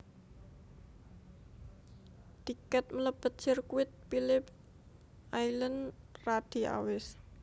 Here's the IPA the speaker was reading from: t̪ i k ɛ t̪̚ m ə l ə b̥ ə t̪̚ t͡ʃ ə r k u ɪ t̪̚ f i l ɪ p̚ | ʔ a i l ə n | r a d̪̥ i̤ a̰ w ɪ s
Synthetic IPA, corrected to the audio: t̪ i k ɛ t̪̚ m ə l ə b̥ ə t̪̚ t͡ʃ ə r k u ɪ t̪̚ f i l ɪ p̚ | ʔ a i l ə n | r a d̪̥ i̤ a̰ w ɪ s